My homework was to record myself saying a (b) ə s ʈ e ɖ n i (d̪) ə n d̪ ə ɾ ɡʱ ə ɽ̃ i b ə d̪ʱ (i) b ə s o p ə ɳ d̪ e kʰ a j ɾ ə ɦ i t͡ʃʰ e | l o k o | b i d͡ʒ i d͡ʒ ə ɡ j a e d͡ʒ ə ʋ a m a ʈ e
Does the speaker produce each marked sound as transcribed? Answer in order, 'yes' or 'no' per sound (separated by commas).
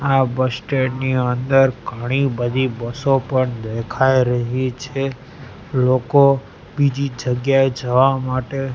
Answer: yes, no, yes